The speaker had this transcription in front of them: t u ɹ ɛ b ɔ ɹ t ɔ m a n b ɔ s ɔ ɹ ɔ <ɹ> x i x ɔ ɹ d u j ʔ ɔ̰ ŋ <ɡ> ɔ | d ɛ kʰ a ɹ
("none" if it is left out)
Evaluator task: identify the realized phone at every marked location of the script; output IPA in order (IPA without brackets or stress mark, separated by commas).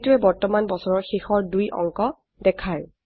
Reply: ɹ, k